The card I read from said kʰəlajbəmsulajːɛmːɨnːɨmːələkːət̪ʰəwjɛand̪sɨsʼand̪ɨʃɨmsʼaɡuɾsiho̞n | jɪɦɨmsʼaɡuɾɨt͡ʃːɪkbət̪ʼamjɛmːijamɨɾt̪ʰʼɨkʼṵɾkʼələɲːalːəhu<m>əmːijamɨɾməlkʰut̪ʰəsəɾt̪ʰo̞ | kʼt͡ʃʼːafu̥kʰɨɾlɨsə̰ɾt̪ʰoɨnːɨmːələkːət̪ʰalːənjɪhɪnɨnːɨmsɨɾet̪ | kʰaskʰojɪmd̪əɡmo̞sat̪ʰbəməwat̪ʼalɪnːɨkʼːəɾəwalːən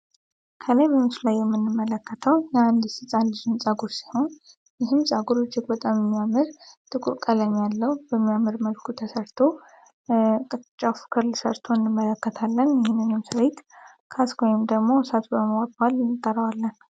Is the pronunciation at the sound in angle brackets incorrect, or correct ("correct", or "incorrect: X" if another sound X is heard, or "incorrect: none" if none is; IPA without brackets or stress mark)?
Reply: incorrect: b